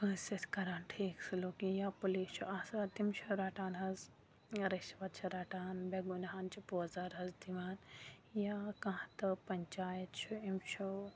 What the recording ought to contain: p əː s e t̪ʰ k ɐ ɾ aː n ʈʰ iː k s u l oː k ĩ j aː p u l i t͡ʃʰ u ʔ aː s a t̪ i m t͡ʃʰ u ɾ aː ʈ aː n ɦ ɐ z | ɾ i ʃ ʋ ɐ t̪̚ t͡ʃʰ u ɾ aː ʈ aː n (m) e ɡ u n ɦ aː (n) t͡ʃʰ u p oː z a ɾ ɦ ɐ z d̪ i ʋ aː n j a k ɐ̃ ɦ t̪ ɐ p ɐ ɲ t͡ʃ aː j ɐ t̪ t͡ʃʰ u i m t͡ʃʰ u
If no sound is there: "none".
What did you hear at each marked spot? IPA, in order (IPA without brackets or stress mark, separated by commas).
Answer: b, n